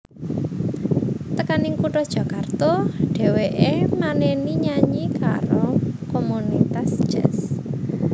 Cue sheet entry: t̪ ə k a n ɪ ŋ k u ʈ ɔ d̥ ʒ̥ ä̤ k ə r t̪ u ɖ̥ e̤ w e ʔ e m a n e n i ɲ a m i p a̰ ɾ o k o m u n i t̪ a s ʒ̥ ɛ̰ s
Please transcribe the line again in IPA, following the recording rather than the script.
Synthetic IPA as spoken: t̪ ə k a n ɪ ŋ k u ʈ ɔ d̥ ʒ̥ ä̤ k a r t̪ ɔ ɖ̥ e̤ w e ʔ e m a n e n i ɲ a ɲ i k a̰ ɾ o k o m u n i t̪ a s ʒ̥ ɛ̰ s